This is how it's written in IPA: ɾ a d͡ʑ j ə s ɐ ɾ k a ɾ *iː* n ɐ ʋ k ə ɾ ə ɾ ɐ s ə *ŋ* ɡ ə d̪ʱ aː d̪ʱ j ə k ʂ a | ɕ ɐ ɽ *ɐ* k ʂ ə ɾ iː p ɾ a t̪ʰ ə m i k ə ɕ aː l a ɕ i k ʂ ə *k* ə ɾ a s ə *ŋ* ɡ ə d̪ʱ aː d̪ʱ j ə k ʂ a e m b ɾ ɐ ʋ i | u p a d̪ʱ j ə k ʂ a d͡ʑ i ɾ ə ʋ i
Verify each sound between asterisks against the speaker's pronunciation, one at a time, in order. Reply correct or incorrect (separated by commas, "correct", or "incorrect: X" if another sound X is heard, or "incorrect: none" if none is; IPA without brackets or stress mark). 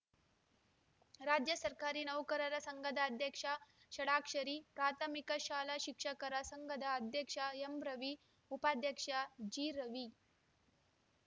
correct, correct, incorrect: a, correct, correct